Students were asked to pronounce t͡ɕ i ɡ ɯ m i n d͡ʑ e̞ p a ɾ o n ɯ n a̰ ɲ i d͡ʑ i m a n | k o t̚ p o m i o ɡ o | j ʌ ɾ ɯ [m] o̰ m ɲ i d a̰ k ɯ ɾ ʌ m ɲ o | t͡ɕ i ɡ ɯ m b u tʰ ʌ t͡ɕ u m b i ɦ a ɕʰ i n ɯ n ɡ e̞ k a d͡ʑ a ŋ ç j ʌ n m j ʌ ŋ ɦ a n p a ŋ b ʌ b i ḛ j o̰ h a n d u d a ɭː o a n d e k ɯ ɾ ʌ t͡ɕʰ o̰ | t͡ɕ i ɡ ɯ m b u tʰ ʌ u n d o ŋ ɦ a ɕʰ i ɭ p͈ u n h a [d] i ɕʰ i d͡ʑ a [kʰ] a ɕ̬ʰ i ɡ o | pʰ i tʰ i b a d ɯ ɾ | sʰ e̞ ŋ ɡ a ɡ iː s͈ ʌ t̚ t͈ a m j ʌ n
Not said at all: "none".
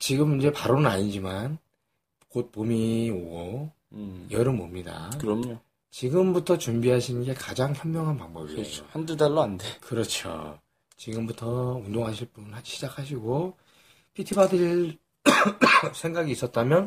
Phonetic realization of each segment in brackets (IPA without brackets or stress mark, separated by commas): m, d͡ʑ, kʰ